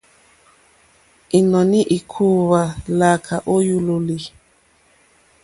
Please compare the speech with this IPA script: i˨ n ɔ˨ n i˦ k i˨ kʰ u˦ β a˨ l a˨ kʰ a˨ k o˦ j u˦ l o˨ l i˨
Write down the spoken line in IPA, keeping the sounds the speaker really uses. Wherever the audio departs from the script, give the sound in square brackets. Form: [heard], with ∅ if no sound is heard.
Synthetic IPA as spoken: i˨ n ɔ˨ n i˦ [ʔ] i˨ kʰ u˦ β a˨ l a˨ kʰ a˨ [ʔ] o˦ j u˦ l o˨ l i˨

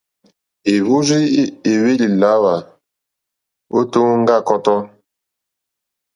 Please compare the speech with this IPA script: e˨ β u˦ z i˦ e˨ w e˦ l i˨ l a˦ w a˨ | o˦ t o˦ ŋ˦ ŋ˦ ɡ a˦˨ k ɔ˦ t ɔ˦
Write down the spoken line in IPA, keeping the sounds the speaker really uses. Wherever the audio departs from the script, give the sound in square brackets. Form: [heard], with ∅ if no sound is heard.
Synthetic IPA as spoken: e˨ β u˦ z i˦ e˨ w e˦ l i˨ l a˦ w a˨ | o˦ t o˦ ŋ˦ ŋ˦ ɡ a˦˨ k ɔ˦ t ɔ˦

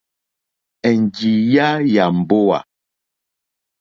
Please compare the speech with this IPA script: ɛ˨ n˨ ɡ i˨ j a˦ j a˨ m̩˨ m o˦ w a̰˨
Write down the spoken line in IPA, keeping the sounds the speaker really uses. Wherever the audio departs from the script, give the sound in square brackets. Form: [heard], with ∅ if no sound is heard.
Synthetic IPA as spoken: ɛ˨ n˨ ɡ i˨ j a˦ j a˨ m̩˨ [b] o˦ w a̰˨

